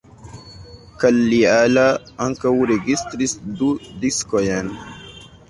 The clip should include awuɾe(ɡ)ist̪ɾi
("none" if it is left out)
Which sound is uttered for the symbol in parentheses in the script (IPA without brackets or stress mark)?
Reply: ɡ